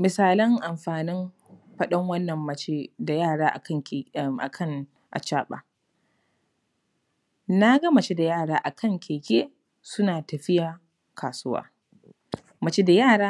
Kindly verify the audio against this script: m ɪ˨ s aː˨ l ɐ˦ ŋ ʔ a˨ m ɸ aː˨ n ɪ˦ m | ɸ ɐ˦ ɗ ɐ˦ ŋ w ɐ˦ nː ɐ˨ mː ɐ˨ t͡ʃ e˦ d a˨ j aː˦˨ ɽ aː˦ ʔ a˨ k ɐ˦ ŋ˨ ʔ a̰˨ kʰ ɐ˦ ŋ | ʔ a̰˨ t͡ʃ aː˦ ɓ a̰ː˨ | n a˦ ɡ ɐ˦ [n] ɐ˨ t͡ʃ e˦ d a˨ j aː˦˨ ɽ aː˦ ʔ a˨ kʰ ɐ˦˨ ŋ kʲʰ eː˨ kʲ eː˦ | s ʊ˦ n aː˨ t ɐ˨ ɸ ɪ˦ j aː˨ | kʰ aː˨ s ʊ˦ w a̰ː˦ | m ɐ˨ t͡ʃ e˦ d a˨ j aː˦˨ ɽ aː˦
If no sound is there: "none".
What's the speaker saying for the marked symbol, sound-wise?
m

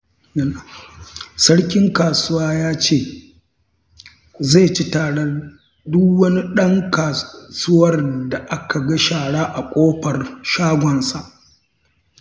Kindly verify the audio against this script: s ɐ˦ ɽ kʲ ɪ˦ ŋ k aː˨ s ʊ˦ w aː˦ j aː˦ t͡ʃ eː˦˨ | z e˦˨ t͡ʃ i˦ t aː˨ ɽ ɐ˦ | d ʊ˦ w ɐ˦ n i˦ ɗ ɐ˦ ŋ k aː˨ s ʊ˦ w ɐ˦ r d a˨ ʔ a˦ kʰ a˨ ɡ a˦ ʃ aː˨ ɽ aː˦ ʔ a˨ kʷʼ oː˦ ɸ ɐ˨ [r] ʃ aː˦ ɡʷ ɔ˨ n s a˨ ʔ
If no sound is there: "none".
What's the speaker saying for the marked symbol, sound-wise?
r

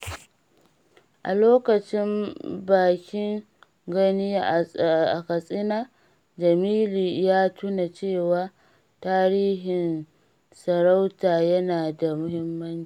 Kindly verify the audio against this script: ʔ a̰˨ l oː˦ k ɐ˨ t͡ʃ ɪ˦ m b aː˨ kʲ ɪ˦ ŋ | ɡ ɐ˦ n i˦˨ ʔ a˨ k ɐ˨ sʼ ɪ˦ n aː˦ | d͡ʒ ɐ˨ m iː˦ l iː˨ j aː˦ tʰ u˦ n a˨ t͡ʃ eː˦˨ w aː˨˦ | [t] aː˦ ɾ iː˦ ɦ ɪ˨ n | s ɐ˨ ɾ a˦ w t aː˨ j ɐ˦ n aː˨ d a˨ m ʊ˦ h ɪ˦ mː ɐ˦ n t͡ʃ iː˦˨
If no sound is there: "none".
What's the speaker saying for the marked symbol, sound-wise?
t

